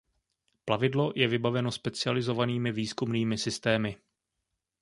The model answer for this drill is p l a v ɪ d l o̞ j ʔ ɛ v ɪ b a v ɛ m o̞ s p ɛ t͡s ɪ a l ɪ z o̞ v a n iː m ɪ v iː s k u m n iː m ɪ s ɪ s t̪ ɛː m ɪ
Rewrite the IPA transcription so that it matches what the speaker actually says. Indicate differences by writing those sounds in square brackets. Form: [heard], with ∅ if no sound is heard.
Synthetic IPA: p l a v ɪ d l o̞ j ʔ ɛ v ɪ b a v ɛ [n] o̞ s p ɛ t͡s ɪ a l ɪ z o̞ v a n iː m ɪ v iː s k u m n iː m ɪ s ɪ s t̪ ɛː m ɪ